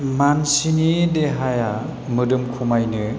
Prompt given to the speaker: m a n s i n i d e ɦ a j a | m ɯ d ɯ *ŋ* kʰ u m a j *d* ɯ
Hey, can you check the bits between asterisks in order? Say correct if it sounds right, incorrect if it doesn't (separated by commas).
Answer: incorrect, incorrect